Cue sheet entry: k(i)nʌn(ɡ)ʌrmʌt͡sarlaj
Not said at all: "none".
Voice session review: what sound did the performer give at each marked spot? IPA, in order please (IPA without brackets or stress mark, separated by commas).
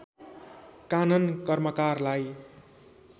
a, k